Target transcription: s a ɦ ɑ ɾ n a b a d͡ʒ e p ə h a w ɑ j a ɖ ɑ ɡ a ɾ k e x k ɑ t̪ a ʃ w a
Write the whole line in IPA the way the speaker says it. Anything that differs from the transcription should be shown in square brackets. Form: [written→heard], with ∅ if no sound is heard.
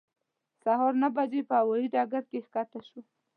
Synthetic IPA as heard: s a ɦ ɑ ɾ n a b a d͡ʒ e p ə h a w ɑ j [a→i] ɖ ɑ ɡ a ɾ k e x k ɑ t̪ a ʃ w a